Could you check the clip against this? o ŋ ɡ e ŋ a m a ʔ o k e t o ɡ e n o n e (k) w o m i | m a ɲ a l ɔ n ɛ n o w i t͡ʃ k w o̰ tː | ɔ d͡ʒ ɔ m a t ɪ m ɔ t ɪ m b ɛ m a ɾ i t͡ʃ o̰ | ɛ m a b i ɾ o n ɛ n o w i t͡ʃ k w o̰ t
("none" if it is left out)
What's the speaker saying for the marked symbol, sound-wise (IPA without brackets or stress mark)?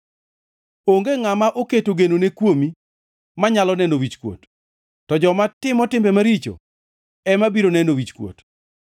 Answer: k